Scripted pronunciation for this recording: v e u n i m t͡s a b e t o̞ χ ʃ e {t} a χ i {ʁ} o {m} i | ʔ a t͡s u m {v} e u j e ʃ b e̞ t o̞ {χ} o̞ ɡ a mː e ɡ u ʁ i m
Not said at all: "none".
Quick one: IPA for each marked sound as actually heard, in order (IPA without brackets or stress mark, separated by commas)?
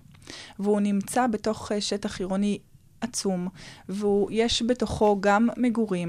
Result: t, ʁ, n, v, χ